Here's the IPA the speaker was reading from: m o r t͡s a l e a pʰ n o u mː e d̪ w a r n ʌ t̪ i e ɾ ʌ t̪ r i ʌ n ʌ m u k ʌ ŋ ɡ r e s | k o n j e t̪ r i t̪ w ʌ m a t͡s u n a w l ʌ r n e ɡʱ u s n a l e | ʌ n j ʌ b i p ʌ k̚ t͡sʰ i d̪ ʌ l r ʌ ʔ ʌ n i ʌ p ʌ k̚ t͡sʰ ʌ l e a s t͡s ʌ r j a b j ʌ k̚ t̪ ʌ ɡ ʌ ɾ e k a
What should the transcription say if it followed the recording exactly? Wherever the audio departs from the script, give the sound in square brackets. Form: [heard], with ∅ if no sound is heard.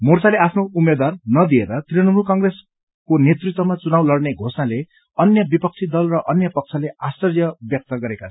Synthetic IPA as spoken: m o r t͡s a l e a pʰ n o u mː e d̪ w a r n ʌ [d̪] i e ɾ ʌ t̪ r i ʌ n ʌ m u k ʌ ŋ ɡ r e s | k o n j e t̪ r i t̪ w ʌ m a t͡s u n a w l ʌ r n e ɡʱ [o] s n a l e | ʌ n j ʌ b i p ʌ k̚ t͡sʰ i d̪ ʌ l r ʌ ʔ ʌ n [j] ʌ p ʌ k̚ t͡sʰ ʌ l e a s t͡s ʌ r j [ʌ] b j ʌ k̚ t̪ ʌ ɡ ʌ ɾ e k a